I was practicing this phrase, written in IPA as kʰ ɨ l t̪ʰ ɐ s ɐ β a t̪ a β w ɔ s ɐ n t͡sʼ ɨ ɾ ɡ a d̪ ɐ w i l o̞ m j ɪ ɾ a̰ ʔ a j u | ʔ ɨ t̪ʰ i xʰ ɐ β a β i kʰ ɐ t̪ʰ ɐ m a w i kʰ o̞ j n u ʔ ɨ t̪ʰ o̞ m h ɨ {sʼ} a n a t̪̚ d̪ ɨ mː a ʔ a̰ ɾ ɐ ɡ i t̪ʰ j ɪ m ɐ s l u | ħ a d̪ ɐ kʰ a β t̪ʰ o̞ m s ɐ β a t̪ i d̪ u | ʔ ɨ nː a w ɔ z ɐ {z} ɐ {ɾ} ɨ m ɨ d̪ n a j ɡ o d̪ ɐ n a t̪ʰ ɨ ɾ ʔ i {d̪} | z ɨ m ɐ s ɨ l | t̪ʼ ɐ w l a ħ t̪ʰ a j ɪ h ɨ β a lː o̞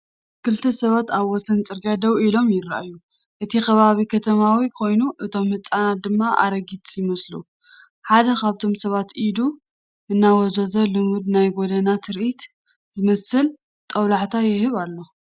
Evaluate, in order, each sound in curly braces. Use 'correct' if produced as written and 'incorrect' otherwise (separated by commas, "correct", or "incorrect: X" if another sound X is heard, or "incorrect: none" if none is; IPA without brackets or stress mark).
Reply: incorrect: t͡sʼ, correct, incorrect: l, incorrect: t̪